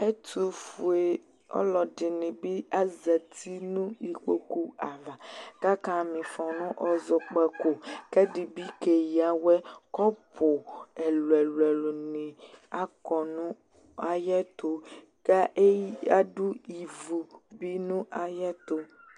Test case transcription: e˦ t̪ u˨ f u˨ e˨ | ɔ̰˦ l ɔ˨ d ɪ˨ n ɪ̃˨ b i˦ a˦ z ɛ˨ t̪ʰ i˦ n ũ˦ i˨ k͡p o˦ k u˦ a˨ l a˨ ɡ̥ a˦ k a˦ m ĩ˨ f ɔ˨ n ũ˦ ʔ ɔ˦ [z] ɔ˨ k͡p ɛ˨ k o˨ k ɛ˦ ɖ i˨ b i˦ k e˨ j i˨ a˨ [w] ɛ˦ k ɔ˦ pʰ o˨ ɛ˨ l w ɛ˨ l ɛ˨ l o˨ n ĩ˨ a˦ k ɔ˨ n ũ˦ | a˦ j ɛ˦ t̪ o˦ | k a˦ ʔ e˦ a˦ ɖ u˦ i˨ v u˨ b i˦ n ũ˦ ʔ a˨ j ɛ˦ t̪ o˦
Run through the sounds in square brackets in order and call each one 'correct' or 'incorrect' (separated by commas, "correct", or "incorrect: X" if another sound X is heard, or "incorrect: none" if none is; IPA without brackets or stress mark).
correct, correct